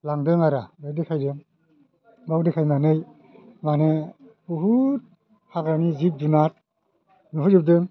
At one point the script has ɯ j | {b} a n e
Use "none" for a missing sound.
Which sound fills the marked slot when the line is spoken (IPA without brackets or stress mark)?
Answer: m